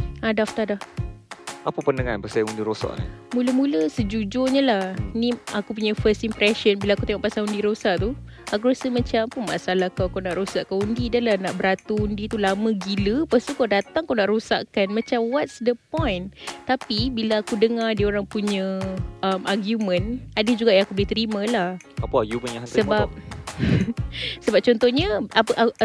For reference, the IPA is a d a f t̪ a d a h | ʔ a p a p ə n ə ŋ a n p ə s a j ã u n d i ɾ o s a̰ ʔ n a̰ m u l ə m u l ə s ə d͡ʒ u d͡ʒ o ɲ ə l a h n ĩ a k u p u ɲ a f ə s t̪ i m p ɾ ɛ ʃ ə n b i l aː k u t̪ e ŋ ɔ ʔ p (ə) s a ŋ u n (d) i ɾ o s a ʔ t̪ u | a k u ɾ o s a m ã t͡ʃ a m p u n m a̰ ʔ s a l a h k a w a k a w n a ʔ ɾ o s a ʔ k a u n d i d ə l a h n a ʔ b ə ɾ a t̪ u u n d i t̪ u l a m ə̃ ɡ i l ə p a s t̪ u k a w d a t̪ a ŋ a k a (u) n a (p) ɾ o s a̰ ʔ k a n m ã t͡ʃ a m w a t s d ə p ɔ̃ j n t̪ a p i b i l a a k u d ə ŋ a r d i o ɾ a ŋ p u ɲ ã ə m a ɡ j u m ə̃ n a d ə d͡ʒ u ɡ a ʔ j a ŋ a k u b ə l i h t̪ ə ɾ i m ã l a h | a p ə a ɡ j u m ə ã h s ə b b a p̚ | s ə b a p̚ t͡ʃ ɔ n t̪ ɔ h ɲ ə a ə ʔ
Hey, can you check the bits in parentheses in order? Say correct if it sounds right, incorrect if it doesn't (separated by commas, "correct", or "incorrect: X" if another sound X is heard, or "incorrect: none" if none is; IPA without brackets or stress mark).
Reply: incorrect: a, correct, incorrect: w, incorrect: ʔ